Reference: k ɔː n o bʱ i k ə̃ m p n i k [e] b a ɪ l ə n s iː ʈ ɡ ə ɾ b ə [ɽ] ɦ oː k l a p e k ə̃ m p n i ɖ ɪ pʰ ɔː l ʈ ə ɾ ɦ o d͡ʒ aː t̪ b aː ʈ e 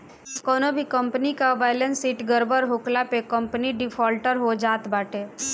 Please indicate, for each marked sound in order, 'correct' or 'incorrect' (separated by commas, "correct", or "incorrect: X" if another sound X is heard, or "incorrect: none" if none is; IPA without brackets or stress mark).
incorrect: a, incorrect: ɾ